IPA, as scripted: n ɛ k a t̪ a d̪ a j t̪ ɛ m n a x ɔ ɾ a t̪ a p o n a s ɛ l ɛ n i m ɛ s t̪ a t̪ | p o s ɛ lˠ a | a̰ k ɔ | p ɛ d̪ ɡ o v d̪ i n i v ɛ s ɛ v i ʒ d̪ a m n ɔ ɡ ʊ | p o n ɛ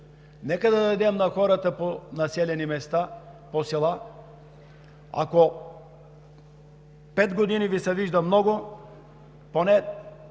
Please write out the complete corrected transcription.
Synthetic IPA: n ɛ k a d̪ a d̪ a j d̪ ɛ m n a x ɔ ɾ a t̪ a p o n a s ɛ l ɛ n i m ɛ s t̪ a | p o s ɛ lˠ a | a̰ k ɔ | p ɛ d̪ ɡ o d̪ i n i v i s ɛ v i ʒ d̪ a m n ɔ ɡ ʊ | p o n ɛ